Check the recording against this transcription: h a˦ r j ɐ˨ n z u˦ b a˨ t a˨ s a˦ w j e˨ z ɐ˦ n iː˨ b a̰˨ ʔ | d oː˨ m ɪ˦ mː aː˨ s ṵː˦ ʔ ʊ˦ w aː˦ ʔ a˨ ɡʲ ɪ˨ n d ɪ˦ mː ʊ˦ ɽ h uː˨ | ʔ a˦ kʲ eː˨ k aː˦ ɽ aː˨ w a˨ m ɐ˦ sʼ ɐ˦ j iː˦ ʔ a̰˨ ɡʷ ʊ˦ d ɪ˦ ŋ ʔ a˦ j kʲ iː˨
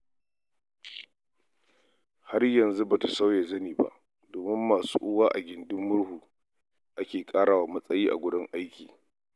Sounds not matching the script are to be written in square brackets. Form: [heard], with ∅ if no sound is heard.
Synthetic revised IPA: h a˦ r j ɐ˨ n z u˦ b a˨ t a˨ s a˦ w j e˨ z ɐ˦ n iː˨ b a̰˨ ʔ | d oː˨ m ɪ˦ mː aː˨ s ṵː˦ ʔ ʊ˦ w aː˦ ʔ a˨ ɡʲ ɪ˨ n d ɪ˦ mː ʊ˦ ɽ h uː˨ | ʔ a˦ kʲ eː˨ [kʼ] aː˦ ɽ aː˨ w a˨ m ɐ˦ sʼ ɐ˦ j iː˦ ʔ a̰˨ ɡʷ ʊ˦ d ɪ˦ ŋ ʔ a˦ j kʲ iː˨

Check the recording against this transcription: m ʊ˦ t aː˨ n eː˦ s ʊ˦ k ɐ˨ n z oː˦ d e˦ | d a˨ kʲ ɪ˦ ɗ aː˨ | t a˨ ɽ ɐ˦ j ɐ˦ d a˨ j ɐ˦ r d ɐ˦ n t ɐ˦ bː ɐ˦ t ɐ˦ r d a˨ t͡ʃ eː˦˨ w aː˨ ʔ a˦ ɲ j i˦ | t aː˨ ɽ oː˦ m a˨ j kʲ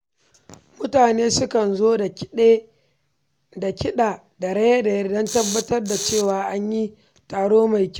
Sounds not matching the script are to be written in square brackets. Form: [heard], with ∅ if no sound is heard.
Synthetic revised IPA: m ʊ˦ t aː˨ n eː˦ s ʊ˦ k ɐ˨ n z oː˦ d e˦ | d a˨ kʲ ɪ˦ ɗ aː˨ | [d] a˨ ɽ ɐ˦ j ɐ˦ d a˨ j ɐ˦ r d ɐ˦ n t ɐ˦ bː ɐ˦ t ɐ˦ r d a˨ t͡ʃ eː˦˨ w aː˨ ʔ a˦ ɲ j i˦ | t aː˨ ɽ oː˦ m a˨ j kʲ

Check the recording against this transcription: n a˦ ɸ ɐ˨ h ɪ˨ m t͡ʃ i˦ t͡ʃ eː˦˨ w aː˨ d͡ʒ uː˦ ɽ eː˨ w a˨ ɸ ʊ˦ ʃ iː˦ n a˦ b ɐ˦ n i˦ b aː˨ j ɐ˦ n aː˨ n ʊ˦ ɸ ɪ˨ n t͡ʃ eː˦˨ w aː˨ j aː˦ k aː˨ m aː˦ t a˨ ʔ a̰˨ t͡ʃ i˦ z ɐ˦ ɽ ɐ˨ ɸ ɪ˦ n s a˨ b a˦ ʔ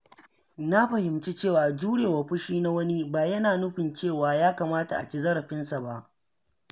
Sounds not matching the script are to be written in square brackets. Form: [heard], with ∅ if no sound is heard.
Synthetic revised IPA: n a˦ ɸ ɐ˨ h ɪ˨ m t͡ʃ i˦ t͡ʃ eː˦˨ w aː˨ d͡ʒ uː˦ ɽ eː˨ w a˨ ɸ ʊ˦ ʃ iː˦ n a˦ [w] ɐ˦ n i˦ b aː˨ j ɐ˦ n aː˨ n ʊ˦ ɸ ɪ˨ n t͡ʃ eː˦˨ w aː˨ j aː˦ k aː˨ m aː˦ t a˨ ʔ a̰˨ t͡ʃ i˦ z ɐ˦ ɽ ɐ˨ ɸ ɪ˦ n s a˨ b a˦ ʔ

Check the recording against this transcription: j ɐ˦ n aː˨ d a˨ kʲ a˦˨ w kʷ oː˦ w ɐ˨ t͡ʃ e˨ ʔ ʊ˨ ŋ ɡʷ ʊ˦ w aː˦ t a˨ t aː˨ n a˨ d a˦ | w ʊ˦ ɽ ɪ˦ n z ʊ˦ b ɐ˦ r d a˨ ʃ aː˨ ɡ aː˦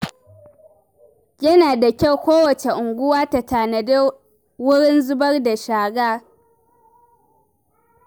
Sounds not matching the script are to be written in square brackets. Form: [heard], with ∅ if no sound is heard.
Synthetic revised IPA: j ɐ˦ n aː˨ d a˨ kʲ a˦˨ w kʷ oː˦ w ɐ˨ t͡ʃ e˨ ʔ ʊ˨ ŋ ɡʷ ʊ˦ w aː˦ t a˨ t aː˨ n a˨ d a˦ | w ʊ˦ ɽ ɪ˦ n z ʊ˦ b ɐ˦ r d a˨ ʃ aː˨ ɡ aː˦

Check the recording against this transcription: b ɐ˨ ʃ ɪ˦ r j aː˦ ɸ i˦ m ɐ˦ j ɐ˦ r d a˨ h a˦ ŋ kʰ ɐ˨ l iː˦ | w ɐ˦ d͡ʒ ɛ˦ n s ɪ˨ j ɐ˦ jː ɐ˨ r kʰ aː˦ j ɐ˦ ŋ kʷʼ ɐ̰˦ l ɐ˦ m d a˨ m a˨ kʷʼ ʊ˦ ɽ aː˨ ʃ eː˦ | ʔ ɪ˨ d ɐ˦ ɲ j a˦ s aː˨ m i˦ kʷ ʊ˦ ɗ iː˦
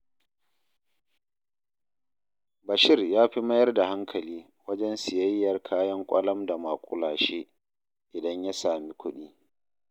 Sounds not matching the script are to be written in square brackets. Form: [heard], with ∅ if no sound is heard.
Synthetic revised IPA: b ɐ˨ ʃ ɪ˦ r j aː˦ ɸ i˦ m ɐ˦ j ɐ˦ r d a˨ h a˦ ŋ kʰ ɐ˨ l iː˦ | w ɐ˦ d͡ʒ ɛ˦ n s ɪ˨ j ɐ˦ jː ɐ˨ r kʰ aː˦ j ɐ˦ ŋ kʷʼ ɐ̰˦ l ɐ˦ m d a˨ m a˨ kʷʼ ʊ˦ [l] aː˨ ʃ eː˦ | ʔ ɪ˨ d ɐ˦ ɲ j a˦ s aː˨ m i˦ kʷ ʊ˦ ɗ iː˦

